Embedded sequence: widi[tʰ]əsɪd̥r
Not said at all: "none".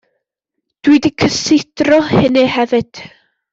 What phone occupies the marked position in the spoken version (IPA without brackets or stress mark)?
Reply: kʰ